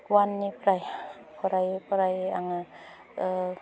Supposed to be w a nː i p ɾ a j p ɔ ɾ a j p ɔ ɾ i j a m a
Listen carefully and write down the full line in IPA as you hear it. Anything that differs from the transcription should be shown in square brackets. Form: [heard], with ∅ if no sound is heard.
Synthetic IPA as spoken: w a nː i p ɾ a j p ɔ ɾ a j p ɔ ɾ [a] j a [ŋ] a